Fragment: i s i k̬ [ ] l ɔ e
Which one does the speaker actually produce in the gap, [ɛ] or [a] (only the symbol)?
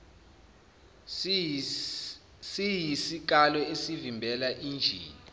a